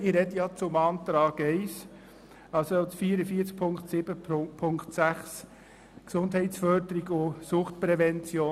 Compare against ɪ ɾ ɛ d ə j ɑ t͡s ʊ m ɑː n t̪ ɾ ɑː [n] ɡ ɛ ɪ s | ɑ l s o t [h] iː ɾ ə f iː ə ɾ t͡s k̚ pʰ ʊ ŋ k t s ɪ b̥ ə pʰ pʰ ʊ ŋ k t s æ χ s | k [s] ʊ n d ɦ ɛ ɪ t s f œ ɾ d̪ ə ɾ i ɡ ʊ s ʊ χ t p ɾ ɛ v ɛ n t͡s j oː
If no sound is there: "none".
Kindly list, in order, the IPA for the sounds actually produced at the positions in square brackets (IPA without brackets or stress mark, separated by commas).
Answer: none, f, s